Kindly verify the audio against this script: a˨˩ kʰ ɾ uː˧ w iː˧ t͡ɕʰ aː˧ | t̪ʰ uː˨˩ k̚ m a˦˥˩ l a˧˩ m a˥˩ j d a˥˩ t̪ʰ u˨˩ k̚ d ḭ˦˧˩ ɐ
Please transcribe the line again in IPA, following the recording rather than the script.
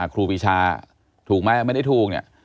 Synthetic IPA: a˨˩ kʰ ɾ uː˧ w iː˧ t͡ɕʰ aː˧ | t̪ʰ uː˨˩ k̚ m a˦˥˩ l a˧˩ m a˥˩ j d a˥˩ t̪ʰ uː˨˩ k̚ n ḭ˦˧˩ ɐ